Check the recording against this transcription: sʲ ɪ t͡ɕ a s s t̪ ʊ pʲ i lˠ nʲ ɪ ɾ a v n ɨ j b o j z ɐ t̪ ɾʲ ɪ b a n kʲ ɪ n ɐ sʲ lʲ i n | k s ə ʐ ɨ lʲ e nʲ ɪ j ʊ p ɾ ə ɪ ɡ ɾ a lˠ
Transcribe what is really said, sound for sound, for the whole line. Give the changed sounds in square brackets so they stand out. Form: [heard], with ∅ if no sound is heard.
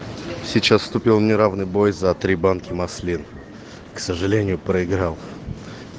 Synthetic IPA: sʲ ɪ t͡ɕ a s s t̪ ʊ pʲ i lˠ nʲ ɪ ɾ a v n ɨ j b o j z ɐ t̪ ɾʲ [i] b a n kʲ ɪ [m] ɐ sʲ lʲ i n | k s ə ʐ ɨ lʲ e nʲ ɪ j ʊ p ɾ ə ɪ ɡ ɾ a lˠ